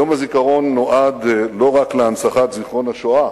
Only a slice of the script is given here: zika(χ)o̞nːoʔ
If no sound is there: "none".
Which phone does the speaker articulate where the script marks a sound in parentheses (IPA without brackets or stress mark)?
ʁ